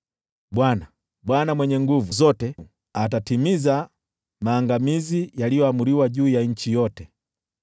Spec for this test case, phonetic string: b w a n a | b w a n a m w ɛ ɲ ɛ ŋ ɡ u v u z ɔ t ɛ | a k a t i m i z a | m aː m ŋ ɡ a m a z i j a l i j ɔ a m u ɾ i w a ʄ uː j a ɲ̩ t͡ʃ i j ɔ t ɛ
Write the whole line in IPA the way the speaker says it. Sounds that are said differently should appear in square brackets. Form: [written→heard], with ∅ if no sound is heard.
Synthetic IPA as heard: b w a n a | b w a n a m w ɛ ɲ ɛ ŋ ɡ u v u z ɔ t ɛ | a [k→t] a t i m i z a | m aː [m→∅] ŋ ɡ a m [a→i] z i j a l i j ɔ a m u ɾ i w a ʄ uː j a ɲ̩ t͡ʃ i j ɔ t ɛ